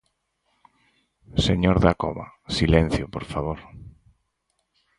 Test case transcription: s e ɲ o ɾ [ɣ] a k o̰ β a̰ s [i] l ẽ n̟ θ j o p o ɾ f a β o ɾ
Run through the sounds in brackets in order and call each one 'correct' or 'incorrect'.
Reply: incorrect, correct

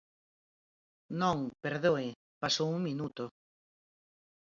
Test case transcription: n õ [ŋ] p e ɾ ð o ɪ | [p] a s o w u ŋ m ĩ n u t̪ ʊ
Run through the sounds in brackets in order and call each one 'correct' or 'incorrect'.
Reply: correct, correct

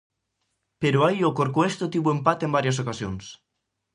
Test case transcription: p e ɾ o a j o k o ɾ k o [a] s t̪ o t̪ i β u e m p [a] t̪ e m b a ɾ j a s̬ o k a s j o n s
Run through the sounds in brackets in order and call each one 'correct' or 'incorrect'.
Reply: incorrect, correct

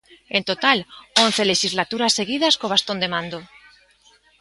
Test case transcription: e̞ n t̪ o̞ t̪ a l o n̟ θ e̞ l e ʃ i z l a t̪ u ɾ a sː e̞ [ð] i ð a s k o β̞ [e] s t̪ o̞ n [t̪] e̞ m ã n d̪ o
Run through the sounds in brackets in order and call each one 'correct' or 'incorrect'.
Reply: incorrect, incorrect, incorrect

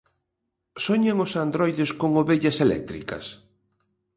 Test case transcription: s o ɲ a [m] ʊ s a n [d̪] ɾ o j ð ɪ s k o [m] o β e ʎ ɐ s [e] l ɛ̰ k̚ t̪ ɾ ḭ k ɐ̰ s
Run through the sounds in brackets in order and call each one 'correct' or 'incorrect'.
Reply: incorrect, correct, incorrect, correct

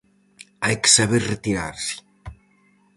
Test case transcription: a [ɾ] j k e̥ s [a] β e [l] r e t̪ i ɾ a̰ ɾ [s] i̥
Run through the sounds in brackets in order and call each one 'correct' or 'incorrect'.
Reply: incorrect, correct, incorrect, correct

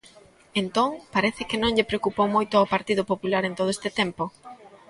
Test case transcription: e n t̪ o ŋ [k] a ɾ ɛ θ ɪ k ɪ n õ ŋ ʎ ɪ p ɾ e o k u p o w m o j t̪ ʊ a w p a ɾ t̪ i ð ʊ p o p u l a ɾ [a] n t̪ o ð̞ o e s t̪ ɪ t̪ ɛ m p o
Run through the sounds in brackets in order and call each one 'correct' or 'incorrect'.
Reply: incorrect, incorrect

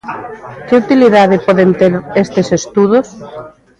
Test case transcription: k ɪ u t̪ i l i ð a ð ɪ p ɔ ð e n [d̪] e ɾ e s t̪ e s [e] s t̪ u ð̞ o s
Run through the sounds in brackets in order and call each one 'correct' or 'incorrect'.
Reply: incorrect, correct

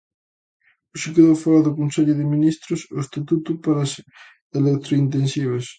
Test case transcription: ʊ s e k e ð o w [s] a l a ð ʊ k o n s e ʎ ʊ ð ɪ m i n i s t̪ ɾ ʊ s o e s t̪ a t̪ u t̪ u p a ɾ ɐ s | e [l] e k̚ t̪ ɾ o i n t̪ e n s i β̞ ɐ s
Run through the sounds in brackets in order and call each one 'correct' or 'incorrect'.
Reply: incorrect, correct

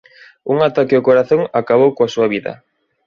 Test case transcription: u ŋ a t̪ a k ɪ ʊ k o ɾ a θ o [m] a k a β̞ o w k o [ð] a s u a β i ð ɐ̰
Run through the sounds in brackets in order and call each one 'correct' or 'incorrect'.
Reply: incorrect, incorrect

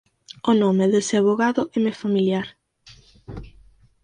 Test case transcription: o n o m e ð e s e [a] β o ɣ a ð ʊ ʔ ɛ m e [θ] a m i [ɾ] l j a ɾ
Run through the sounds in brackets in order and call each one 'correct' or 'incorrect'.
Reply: correct, incorrect, incorrect

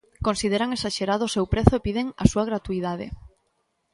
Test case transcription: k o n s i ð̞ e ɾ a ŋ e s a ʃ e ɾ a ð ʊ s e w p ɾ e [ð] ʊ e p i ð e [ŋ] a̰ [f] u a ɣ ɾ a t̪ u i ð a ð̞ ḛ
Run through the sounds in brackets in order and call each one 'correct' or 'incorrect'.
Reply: incorrect, correct, incorrect

